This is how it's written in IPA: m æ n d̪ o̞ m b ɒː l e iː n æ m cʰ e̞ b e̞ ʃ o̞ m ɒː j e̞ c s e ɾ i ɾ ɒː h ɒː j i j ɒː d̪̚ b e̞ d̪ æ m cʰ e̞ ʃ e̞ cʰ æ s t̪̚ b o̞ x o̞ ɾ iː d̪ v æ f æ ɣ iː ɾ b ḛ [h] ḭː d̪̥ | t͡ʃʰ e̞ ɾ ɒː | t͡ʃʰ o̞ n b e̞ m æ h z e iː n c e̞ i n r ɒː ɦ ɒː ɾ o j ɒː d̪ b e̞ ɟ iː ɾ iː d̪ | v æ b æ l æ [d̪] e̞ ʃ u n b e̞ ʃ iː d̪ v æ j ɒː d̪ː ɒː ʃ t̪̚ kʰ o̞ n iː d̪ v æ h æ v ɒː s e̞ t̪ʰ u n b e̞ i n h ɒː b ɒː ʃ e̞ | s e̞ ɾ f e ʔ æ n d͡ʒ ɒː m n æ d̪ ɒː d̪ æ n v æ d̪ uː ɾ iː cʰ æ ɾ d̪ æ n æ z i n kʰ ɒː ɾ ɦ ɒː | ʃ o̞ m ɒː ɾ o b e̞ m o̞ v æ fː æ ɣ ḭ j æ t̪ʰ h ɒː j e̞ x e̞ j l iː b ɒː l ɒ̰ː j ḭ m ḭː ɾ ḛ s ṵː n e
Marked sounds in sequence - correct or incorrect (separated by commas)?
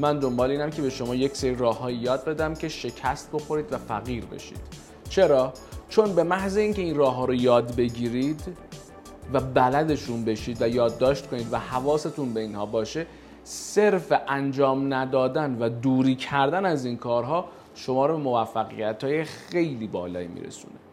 incorrect, correct